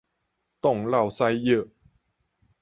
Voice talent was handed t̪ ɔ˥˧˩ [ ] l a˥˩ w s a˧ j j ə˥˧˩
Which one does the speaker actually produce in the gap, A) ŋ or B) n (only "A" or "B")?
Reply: A